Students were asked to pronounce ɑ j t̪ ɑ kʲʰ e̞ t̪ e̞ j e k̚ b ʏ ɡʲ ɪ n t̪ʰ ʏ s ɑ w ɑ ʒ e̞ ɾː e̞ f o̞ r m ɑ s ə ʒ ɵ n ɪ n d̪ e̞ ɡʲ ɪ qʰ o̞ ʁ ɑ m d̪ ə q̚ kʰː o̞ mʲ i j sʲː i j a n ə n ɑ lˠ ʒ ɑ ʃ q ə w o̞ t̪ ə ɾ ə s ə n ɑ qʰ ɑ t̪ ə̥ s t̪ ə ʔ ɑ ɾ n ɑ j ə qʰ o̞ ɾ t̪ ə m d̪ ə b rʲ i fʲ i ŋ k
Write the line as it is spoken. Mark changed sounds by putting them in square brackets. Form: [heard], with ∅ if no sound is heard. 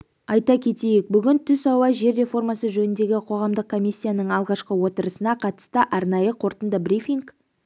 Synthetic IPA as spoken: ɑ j t̪ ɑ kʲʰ e̞ t̪ e̞ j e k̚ b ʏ ɡʲ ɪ n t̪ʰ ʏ s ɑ w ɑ ʒ e̞ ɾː e̞ f o̞ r m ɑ s ə ʒ ɵ n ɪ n d̪ e̞ ɡʲ ɪ qʰ o̞ ʁ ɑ m d̪ ə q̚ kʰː o̞ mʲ i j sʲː i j a n ə [ɴ] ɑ lˠ [ʁ] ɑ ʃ q ə w o̞ t̪ ə ɾ ə s ə n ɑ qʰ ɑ t̪ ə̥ s t̪ ə ʔ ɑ ɾ n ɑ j ə qʰ o̞ ɾ t̪ ə [n] d̪ ə b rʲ i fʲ i ŋ k